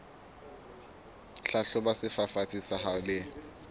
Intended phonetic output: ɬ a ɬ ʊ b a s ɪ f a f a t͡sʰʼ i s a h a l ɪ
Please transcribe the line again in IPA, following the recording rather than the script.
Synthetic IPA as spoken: ɬ a ɬ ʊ b a s ɪ f a f a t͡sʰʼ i s a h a l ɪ